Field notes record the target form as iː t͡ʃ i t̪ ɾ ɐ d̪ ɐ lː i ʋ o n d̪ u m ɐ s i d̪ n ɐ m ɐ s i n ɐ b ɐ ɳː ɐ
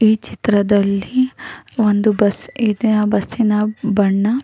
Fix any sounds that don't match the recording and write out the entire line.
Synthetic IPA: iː t͡ʃ i t̪ ɾ ɐ d̪ ɐ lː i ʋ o n d̪ u b ɐ s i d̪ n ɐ b ɐ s i n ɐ b ɐ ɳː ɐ